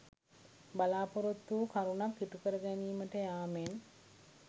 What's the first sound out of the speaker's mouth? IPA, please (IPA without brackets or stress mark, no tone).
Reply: b